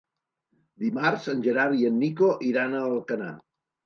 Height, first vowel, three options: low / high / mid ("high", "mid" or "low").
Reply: high